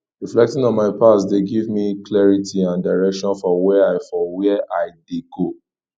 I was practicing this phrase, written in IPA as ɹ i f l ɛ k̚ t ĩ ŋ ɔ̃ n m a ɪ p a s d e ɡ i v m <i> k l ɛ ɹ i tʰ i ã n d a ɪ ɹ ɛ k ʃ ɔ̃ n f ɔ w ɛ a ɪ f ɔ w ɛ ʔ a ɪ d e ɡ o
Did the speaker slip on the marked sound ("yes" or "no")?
no